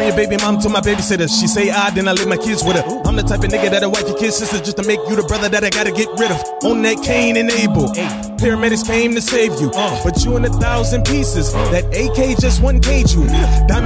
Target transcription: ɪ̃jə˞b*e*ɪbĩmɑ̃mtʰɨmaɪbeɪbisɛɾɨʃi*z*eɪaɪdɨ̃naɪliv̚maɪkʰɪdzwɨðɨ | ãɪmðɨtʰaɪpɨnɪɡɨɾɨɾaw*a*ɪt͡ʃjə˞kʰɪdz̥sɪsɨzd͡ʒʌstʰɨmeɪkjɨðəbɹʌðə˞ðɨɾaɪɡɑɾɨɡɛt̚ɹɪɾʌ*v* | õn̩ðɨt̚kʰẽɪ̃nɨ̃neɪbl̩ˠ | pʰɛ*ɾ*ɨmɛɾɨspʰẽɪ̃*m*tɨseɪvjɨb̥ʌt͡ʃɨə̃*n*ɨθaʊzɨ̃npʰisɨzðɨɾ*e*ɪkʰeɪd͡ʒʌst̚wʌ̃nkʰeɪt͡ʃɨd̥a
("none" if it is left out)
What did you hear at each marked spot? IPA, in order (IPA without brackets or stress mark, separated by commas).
e, s, a, v, ɹ, m, n, e